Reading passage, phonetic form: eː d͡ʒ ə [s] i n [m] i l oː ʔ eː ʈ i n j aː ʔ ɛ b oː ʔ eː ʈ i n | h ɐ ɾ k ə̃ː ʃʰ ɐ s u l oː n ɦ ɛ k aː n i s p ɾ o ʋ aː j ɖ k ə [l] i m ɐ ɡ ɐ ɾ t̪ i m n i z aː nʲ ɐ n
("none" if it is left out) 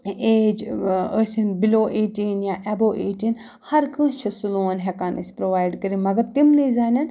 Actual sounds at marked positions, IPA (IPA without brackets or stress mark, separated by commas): s, b, ɾ